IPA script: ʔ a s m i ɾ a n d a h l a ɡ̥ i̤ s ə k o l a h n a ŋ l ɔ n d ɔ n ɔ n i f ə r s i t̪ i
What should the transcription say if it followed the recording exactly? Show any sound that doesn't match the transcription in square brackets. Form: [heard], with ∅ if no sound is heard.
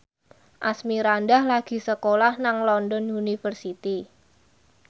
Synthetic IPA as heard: ʔ a s m i ɾ a n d a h l a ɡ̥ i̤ s ə k o l a h n a ŋ l ɔ n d ɔ n [u] n i f ə r s i t̪ i